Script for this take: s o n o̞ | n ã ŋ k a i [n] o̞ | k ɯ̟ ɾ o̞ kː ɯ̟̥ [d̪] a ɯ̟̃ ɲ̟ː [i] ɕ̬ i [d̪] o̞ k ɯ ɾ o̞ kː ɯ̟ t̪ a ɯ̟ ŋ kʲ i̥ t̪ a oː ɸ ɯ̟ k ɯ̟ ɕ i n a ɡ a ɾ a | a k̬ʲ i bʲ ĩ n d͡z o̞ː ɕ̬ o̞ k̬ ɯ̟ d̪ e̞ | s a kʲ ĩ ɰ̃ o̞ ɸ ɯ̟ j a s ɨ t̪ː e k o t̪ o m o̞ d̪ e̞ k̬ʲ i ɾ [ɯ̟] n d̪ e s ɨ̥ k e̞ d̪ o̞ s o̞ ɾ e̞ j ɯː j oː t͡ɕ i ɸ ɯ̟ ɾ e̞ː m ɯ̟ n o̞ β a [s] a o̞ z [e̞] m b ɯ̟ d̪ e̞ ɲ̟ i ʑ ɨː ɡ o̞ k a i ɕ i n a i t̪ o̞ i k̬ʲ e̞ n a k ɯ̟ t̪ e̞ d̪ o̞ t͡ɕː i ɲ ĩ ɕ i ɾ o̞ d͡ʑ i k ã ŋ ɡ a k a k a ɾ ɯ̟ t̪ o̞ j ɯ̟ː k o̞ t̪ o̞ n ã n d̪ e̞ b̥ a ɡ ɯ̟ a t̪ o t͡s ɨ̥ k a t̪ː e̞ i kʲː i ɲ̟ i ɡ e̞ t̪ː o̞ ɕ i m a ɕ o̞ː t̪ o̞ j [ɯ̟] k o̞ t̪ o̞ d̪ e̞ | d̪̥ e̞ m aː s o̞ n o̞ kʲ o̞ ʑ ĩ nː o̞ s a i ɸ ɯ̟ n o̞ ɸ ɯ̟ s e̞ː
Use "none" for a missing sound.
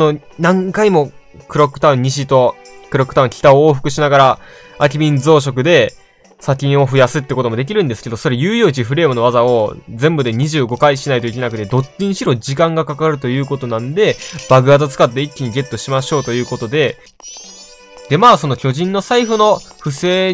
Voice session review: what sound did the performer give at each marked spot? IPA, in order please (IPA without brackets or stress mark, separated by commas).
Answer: m, t̪, i, t̪, ɯ̟̃, z, ẽ̞, ɯ̟ː